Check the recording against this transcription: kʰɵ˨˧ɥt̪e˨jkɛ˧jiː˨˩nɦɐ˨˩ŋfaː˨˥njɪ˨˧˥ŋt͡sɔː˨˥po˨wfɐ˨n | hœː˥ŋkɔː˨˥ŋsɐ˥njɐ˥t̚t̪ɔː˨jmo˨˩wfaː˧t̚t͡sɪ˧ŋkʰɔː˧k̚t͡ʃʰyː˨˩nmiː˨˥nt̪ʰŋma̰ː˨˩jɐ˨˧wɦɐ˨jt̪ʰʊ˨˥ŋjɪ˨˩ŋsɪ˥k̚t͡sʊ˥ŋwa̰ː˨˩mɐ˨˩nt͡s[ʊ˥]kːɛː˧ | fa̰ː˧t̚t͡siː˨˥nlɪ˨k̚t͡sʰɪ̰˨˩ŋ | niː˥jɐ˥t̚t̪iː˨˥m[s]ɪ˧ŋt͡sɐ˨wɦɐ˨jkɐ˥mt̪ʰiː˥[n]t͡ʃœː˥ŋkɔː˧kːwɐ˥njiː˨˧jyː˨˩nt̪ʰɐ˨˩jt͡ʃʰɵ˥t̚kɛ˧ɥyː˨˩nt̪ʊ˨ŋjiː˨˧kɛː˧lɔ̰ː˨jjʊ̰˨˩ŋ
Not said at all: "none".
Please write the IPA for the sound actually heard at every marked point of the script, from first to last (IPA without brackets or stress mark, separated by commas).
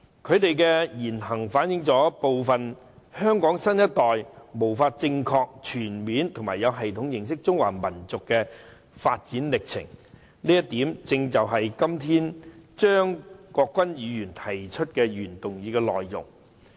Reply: ʊ˨, t͡s, n